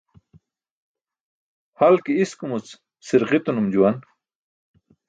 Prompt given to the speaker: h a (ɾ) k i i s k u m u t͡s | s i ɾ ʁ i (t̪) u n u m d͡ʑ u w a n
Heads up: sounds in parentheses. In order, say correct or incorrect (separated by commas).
incorrect, correct